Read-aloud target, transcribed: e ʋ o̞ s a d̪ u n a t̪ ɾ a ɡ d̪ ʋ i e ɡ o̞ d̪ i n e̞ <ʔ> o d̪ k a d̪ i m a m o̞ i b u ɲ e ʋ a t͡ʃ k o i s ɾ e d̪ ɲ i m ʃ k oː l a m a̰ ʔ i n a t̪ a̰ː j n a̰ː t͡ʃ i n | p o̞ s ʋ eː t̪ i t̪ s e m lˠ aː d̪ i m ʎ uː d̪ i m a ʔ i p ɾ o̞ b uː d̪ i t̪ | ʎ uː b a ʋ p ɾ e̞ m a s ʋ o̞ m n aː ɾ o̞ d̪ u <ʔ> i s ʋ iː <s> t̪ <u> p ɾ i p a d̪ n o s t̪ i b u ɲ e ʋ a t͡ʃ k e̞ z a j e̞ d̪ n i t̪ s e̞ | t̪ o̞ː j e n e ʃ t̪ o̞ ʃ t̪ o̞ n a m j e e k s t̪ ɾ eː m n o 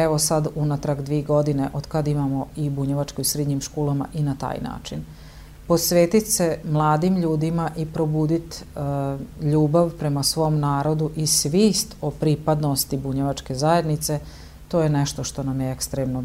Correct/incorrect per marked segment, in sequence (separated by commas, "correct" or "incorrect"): correct, correct, correct, incorrect